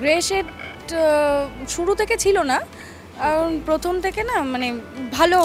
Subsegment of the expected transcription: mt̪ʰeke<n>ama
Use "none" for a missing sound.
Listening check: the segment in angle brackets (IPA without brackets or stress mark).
n